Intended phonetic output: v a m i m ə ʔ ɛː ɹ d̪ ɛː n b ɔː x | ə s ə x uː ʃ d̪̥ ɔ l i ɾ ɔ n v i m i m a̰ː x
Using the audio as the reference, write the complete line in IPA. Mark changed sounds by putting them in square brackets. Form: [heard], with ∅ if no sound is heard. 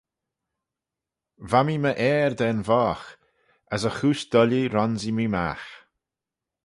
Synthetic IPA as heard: v a m i m ə ʔ ɛː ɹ d̪ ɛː n [v] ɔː x | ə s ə x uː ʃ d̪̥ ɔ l i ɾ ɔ n [z] i m i m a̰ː x